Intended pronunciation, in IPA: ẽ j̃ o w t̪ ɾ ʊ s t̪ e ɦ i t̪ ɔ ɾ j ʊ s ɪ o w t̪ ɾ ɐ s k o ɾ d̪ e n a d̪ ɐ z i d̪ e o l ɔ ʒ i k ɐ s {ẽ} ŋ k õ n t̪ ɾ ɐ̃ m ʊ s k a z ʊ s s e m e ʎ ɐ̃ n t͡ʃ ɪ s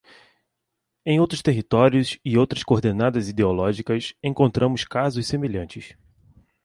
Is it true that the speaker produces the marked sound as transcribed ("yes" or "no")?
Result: yes